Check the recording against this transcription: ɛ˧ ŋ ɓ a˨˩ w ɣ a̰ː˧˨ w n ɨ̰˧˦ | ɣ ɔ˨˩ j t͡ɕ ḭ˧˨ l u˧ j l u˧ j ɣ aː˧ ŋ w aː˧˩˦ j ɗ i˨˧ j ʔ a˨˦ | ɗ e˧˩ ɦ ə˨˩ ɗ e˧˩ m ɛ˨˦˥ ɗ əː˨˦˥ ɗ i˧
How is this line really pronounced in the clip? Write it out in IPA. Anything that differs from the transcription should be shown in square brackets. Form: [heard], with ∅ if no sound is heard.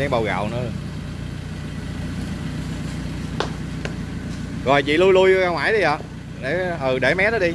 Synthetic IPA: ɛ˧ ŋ ɓ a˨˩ w ɣ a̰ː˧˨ w n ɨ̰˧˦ | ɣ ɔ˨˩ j t͡ɕ ḭ˧˨ l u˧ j l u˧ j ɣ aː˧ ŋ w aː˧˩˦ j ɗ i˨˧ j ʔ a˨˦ | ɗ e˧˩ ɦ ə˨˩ ɗ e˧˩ m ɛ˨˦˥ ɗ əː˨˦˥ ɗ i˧